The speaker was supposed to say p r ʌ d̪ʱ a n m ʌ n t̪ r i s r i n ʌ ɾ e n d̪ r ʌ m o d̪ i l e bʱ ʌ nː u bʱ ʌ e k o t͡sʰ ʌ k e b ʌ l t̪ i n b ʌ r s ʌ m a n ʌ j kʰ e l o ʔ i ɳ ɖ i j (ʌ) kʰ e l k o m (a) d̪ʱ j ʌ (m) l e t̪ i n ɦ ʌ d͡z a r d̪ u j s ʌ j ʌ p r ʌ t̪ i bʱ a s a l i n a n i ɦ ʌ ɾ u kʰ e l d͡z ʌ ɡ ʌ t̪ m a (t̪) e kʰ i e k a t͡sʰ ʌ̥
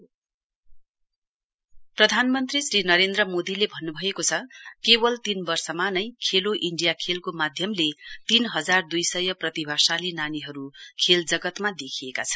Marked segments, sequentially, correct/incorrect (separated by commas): incorrect, correct, correct, incorrect